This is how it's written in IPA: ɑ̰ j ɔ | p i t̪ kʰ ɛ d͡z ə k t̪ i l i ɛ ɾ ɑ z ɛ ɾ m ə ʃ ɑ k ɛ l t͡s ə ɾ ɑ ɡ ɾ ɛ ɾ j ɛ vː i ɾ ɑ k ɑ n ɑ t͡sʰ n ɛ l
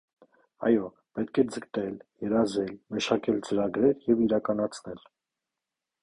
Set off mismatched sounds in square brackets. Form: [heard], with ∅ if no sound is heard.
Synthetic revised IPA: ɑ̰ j ɔ | p [ɛ] t̪ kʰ ɛ d͡z ə k t̪ [ɛ] l [j] ɛ ɾ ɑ z ɛ [l] m ə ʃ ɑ k ɛ l t͡s ə ɾ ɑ ɡ ɾ ɛ ɾ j ɛ [v] i ɾ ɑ k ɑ n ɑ t͡sʰ n ɛ l